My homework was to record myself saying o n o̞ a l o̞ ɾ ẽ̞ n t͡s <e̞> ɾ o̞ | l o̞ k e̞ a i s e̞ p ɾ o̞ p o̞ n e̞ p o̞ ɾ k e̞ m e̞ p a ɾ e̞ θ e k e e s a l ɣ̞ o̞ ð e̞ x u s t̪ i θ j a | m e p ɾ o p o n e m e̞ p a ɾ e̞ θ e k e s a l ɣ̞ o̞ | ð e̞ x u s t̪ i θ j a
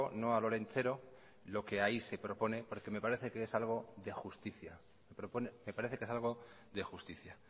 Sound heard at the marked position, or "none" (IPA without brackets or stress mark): e̞